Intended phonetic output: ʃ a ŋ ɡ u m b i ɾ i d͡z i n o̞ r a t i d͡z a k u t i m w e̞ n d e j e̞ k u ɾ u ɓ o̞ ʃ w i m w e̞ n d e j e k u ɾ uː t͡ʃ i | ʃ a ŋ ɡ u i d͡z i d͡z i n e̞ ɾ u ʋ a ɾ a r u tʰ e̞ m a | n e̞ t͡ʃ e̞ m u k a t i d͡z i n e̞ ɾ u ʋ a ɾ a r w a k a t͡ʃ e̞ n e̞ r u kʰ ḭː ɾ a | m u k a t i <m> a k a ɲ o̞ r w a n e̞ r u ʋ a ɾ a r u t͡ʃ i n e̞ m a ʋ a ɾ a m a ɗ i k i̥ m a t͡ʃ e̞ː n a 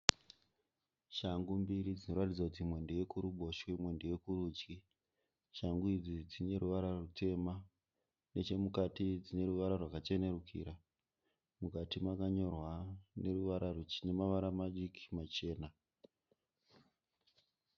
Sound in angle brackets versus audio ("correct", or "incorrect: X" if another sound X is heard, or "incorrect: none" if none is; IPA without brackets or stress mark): correct